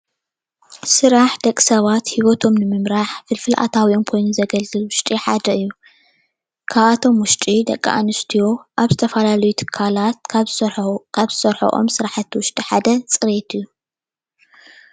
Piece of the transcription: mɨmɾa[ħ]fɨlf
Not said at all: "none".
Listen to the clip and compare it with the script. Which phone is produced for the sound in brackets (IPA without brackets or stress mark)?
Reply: ħ